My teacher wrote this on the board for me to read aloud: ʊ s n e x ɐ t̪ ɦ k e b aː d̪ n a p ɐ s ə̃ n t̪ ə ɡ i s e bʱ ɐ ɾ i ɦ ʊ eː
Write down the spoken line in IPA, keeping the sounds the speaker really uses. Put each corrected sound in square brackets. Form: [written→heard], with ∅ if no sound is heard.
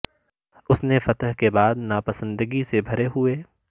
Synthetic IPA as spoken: ʊ s n e [x→f] ɐ t̪ ɦ k e b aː d̪ n a p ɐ s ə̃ n [t̪→d̪] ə ɡ i s e bʱ ɐ ɾ [i→e] ɦ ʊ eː